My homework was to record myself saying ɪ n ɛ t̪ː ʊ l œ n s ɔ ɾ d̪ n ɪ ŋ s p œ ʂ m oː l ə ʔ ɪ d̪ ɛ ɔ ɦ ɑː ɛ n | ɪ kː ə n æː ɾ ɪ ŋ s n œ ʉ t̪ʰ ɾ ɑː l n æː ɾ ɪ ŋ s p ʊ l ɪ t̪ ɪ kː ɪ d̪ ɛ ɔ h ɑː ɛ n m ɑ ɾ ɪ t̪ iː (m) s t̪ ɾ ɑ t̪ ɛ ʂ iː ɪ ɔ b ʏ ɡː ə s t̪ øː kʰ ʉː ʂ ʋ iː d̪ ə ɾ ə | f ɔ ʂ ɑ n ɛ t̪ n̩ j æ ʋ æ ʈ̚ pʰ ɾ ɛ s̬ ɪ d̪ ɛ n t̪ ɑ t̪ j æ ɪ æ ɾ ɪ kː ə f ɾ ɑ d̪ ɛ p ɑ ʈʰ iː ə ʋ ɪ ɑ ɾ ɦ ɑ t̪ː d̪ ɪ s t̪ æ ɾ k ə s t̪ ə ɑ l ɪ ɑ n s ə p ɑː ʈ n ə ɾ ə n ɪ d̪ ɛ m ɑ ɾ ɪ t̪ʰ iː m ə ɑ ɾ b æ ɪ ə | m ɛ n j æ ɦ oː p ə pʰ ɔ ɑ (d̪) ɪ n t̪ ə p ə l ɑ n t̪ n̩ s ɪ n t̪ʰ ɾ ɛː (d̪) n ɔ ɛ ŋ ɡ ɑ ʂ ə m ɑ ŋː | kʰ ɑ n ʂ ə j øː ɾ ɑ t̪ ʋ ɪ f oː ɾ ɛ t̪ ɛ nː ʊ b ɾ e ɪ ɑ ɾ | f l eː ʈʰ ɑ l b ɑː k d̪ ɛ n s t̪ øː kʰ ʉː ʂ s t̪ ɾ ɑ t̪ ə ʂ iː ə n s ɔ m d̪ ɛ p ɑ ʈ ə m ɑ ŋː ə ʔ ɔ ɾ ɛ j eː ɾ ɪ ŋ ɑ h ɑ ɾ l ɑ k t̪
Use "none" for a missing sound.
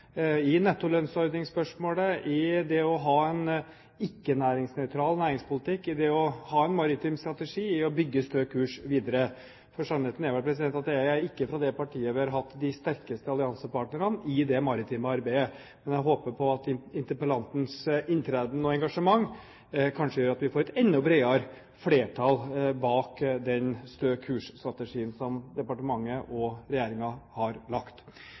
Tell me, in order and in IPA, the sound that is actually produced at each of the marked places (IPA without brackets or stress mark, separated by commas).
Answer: m, t̪, d̪